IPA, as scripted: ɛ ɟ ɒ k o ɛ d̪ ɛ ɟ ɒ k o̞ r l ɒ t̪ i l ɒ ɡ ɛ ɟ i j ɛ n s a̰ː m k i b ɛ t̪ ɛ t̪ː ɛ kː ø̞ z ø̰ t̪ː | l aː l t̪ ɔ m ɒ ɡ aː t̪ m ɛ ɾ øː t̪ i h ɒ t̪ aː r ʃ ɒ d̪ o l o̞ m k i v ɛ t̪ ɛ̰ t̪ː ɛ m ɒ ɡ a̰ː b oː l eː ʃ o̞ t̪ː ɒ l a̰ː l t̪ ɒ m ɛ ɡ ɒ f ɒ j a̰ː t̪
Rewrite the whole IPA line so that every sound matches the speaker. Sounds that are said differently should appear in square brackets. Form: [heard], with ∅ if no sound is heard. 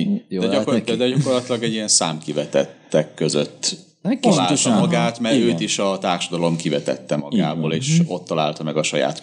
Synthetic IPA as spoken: ɛ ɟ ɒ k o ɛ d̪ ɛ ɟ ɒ k o̞ r l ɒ t̪ i l ɒ ɡ ɛ ɟ i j ɛ n s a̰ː m k i [v] ɛ t̪ ɛ t̪ː ɛ kː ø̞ z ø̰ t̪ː | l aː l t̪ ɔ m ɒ ɡ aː t̪ m ɛ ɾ øː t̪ i [ʃ] ɒ t̪ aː r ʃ ɒ d̪ [ɒ] l o̞ m k i v ɛ t̪ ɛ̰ t̪ː ɛ m ɒ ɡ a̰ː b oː l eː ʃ o̞ t̪ː ɒ l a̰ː l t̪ ɒ m ɛ ɡ ɒ [ʃ] ɒ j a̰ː t̪